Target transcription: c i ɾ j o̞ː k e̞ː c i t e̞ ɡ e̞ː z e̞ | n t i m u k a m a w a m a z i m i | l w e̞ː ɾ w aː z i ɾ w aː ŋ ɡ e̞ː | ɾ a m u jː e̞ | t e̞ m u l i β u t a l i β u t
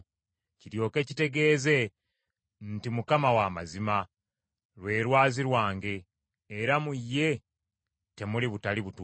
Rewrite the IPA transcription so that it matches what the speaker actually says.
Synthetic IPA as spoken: c i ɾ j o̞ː k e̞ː c i t e̞ ɡ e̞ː z e̞ | n t i m u k a m a w a m a z i m a | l w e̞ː ɾ w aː z i ɾ w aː ŋ ɡ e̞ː | ɾ a m u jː e̞ | t e̞ m u l i β u t a l i β u t